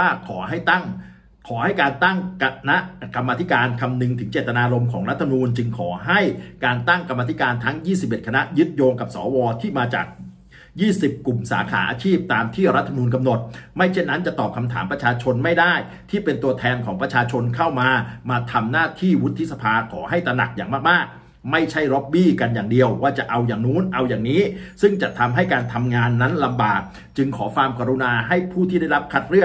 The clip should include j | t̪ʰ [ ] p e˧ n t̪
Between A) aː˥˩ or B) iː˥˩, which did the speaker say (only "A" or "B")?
B